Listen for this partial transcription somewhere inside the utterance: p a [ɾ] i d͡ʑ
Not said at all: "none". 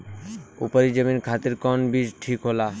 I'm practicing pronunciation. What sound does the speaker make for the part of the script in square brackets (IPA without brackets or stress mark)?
ɾ